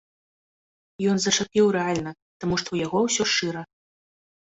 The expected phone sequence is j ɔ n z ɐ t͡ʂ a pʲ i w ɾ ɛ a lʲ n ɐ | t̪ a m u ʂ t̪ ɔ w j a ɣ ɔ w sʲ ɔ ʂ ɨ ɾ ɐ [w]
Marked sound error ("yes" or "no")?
yes